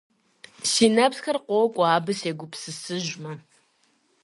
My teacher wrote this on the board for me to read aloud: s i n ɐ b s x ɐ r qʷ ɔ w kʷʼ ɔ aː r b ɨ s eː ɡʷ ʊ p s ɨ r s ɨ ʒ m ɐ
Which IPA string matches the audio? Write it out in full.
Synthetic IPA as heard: s i n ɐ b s x ɐ r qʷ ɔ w kʷʼ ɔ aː b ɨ s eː ɡʷ ʊ p s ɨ s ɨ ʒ m ɐ